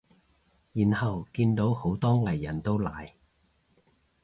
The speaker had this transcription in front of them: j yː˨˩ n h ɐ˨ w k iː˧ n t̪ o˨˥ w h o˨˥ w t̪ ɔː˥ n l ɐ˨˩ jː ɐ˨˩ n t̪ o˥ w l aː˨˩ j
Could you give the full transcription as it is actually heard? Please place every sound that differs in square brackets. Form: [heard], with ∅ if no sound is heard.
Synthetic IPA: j [iː˨˩] n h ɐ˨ w k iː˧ n t̪ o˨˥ w h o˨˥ w t̪ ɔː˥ [ŋ] l ɐ˨˩ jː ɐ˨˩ n t̪ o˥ w l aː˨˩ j